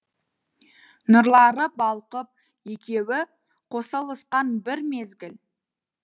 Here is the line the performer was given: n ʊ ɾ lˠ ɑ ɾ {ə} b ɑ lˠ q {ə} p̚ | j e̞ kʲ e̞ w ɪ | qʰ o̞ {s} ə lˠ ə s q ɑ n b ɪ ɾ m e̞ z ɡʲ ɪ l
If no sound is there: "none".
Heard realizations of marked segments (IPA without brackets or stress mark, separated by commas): ə, ə, s